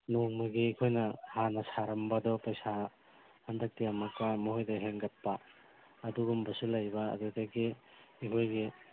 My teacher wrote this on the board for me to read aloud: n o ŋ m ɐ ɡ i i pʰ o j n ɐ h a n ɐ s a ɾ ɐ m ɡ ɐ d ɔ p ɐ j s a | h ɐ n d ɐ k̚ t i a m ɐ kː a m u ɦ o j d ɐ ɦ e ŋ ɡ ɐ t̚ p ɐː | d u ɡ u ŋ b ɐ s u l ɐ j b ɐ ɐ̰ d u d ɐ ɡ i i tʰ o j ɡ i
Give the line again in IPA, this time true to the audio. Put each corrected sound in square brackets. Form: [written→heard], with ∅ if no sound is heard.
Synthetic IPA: n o ŋ m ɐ ɡ i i [pʰ→kʰ] o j n ɐ h a n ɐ s a ɾ ɐ m [ɡ→b] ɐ d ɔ p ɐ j s a | h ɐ n d ɐ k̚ t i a m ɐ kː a m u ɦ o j d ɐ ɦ e ŋ ɡ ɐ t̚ p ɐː | d u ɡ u [ŋ→m] b ɐ s u l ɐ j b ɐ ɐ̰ d u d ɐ ɡ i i [tʰ→kʰ] o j ɡ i